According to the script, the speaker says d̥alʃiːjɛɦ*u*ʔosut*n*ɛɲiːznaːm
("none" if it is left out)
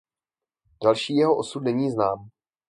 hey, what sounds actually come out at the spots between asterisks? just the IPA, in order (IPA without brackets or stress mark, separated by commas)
o, n